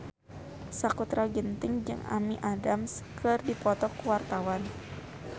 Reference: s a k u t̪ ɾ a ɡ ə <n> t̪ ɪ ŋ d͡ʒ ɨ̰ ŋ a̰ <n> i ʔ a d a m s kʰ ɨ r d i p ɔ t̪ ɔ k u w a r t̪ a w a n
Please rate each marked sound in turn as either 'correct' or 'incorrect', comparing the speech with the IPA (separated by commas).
correct, incorrect